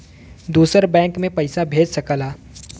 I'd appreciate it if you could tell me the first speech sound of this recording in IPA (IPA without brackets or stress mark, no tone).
d̪